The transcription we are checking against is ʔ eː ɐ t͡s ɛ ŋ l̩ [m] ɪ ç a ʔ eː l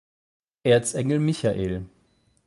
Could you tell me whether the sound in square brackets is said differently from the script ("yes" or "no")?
no